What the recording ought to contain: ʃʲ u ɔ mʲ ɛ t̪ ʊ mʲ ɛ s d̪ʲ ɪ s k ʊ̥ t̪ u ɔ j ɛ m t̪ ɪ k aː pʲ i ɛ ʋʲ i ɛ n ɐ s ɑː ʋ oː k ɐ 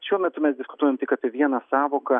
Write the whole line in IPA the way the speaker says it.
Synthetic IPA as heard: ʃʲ u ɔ mʲ ɛ t̪ ʊ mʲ ɛ s d̪ʲ ɪ s k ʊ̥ t̪ u ɔ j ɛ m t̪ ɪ k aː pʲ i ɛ ʋʲ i ɛ n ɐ s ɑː ʋ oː k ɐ